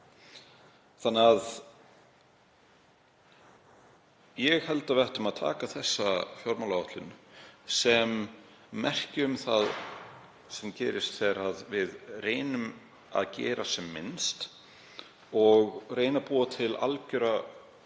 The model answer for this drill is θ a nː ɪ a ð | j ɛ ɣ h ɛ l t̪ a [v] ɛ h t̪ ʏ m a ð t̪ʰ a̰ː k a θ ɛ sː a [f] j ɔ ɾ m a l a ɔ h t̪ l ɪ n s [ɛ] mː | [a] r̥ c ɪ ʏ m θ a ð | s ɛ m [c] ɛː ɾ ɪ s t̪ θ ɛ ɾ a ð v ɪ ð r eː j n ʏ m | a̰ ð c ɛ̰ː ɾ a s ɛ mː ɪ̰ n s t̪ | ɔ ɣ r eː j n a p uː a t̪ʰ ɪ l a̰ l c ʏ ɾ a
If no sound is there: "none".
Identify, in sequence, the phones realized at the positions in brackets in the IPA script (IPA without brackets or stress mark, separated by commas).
v, f, ɛ, ɛ, c